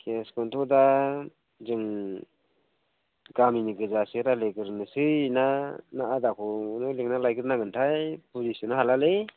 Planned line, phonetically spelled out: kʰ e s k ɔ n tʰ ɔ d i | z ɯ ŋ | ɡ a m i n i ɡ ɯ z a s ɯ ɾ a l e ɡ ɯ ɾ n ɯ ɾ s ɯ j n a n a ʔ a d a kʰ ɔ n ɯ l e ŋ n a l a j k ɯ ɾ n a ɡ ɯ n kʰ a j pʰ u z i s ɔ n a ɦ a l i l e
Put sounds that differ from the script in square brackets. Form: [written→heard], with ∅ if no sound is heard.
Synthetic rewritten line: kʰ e s k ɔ n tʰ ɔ d [i→a] | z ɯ ŋ | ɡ a m i n i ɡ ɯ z a s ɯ ɾ a l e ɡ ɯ ɾ n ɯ [ɾ→∅] s ɯ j n a n a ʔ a d a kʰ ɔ n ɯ l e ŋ n a l a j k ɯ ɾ n a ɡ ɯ n [kʰ→tʰ] a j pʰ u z i s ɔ n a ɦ a l [i→a] l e